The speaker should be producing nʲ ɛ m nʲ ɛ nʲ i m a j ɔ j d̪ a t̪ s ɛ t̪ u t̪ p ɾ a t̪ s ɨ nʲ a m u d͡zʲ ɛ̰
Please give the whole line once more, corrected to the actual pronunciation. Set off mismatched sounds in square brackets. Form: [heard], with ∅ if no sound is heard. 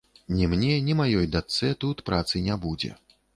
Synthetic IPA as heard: nʲ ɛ m nʲ ɛ nʲ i m a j ɔ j d̪ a t̪ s ɛ t̪ u t̪ p ɾ a t̪ s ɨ nʲ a [b] u d͡zʲ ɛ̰

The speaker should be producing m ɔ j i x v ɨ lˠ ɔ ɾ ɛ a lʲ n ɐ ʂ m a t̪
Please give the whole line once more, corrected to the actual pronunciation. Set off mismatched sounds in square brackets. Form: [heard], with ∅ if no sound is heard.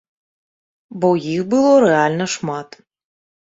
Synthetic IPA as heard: [b] ɔ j i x [b] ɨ lˠ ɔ ɾ ɛ a lʲ n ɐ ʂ m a t̪

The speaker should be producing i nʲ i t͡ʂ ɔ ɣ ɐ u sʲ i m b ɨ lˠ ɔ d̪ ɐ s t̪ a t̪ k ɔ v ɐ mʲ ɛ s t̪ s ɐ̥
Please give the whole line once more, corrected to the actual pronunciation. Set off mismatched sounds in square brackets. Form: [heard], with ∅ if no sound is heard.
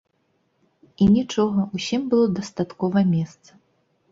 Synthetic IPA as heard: i nʲ i t͡ʂ ɔ ɣ ɐ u sʲ i m b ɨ lˠ ɔ d̪ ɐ s t̪ a t̪ k ɔ v ɐ mʲ ɛ s t̪ s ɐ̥

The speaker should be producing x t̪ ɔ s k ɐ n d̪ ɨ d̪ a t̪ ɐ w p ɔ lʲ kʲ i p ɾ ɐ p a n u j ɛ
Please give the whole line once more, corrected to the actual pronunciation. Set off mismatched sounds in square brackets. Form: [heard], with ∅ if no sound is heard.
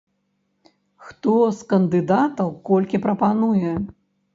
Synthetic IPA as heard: x t̪ ɔ s k ɐ n d̪ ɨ d̪ a t̪ ɐ w [k] ɔ lʲ kʲ i p ɾ ɐ p a n u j ɛ

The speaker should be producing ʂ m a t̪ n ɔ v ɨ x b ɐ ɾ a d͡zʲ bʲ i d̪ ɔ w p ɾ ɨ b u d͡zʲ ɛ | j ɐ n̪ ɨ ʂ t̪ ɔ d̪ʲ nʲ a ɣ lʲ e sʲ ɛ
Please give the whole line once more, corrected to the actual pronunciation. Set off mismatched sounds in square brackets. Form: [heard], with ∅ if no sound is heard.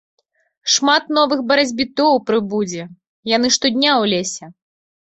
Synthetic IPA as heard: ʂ m a t̪ n ɔ v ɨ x b ɐ ɾ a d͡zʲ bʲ i [t̪] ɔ w p ɾ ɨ b u d͡zʲ ɛ | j [a] n̪ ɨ ʂ t̪ ɔ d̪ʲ nʲ a [w] lʲ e sʲ ɛ

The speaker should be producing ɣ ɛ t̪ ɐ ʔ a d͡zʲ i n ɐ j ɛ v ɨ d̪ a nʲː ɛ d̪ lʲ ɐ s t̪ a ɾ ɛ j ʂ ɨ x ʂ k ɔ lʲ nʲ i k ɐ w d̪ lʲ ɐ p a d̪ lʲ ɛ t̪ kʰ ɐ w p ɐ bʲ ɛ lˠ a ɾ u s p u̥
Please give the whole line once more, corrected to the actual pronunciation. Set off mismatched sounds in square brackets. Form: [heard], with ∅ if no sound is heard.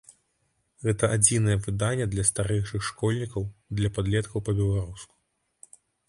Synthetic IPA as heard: ɣ ɛ t̪ ɐ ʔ a d͡zʲ i n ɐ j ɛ v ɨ d̪ a nʲː ɛ d̪ lʲ ɐ s t̪ a ɾ ɛ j ʂ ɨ x ʂ k ɔ lʲ nʲ i k ɐ w d̪ lʲ ɐ p a d̪ lʲ ɛ t̪ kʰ ɐ w p ɐ bʲ ɛ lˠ a ɾ u s [k] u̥

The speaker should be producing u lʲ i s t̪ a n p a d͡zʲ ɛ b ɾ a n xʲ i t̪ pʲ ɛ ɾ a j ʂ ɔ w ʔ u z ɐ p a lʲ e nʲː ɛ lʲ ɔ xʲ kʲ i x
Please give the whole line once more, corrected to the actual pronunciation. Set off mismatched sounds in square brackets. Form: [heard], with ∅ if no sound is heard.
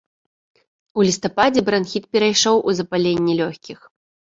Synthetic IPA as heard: u lʲ i s t̪ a [∅] p a d͡zʲ ɛ b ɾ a n xʲ i t̪ pʲ ɛ ɾ a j ʂ ɔ w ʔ u z ɐ p a lʲ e nʲː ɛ lʲ ɔ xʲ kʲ i x

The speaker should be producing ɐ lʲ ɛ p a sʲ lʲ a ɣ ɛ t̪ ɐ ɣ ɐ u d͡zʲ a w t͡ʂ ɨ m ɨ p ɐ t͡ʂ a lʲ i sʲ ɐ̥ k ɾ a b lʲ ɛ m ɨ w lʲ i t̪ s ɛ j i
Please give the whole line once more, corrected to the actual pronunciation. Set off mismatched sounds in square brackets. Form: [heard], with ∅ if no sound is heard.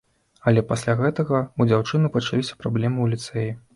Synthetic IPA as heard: ɐ lʲ ɛ p a sʲ lʲ a ɣ ɛ t̪ ɐ ɣ ɐ u d͡zʲ a w t͡ʂ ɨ [n] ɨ p ɐ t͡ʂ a lʲ i sʲ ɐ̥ [p] ɾ a b lʲ ɛ m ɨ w lʲ i t̪ s ɛ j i

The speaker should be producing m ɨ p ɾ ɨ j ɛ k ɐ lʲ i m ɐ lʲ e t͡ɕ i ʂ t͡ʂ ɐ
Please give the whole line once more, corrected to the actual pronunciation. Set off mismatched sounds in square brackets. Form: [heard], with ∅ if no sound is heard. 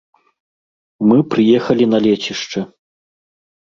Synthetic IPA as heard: m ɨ p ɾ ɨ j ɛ [x] ɐ lʲ i [n] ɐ lʲ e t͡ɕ i ʂ t͡ʂ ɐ

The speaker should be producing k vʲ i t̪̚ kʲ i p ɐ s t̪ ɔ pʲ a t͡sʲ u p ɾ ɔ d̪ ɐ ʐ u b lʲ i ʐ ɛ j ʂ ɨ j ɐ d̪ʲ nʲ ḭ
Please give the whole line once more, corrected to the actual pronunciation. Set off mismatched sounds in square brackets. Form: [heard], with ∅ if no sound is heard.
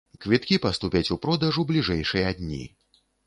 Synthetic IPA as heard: k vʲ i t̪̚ kʲ i p ɐ s t̪ [u] pʲ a t͡sʲ u p ɾ ɔ d̪ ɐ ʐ u b lʲ i ʐ ɛ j ʂ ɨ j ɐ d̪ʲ nʲ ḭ

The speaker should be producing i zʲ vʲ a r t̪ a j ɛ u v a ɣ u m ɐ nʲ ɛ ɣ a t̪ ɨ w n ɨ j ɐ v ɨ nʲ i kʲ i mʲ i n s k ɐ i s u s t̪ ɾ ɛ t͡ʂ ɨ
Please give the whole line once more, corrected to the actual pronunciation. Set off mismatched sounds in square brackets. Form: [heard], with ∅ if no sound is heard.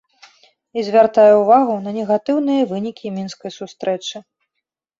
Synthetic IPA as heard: i zʲ vʲ a r t̪ a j ɛ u v a ɣ u [n] ɐ nʲ ɛ ɣ a t̪ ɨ w n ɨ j ɐ v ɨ nʲ i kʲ i mʲ i n s k ɐ [j] s u s t̪ ɾ ɛ t͡ʂ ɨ

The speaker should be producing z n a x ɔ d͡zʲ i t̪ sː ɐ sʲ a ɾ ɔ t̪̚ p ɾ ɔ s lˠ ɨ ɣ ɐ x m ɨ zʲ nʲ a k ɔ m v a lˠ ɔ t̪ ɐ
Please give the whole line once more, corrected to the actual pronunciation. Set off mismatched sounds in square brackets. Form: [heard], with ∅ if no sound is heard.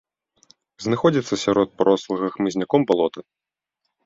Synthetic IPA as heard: z n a x ɔ d͡zʲ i t̪ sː ɐ sʲ a ɾ ɔ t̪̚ p ɾ ɔ s lˠ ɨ ɣ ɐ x m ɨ zʲ nʲ a k ɔ m [b] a lˠ ɔ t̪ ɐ

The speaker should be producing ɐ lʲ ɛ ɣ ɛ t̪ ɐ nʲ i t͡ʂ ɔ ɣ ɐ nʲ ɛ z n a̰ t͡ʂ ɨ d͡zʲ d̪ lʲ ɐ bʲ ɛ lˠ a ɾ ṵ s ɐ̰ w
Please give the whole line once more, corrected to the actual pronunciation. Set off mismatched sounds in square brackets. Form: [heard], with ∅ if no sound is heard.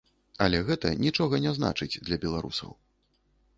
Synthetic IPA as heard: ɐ lʲ ɛ ɣ ɛ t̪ ɐ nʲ i t͡ʂ ɔ ɣ ɐ nʲ ɛ z n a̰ t͡ʂ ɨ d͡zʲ d̪ lʲ ɐ bʲ ɛ lˠ a ɾ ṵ s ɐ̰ w

